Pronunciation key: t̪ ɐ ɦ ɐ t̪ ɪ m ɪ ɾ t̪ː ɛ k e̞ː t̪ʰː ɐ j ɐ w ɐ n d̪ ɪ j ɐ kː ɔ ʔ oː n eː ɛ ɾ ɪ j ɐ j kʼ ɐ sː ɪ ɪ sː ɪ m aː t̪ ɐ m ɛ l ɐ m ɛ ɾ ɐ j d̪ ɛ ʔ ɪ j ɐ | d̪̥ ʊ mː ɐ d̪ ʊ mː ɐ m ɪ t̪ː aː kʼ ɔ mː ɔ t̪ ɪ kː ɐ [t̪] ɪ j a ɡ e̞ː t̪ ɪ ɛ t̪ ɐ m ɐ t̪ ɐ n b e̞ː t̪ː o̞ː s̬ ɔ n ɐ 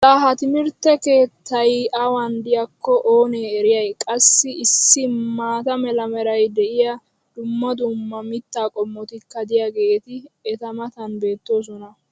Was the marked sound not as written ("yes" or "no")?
yes